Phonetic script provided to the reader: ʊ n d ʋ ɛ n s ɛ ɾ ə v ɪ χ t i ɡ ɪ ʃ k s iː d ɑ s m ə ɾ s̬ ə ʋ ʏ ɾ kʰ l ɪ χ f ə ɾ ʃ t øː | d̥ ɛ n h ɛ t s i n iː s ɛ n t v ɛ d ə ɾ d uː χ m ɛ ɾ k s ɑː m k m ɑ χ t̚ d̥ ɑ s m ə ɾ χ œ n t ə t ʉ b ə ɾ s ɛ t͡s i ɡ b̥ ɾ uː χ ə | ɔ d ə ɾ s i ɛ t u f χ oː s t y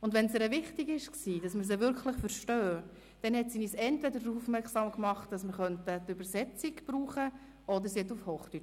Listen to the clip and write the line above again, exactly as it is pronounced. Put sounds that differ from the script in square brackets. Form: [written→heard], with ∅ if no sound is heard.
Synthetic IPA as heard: ʊ n d ʋ ɛ n s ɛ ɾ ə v ɪ χ t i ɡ ɪ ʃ k s iː d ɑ s m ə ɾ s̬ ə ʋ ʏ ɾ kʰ l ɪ χ f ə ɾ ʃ t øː | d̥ ɛ n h ɛ t s i n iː s ɛ n t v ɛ d ə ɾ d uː [χ→f] m ɛ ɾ k s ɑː m k m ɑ χ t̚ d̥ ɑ s m ə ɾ χ œ n t ə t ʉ b ə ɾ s ɛ t͡s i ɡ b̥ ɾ uː χ ə | ɔ d ə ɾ s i ɛ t u f [χ→h] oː [s→χ] t y